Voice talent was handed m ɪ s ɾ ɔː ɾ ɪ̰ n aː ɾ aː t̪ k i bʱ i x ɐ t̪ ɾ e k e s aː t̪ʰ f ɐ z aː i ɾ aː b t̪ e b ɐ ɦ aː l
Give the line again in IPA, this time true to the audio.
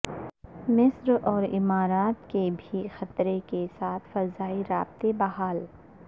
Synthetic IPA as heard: m ɪ s ɾ ɔː ɾ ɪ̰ m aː ɾ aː t̪ k e bʱ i x ɐ t̪ ɾ e k e s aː t̪ʰ f ɐ z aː i ɾ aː b t̪ e b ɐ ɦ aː l